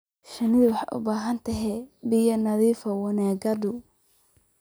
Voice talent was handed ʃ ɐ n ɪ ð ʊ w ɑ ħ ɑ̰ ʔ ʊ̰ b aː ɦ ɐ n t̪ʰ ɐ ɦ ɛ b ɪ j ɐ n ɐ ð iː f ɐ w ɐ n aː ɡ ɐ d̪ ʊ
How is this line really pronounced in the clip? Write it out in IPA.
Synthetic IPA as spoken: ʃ ɐ n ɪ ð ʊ w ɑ ħ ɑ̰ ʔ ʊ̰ b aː ɦ ɐ n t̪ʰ ɐ ɦ ɛ b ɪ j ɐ n ɐ ð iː f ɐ w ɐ n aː ɡ ɐ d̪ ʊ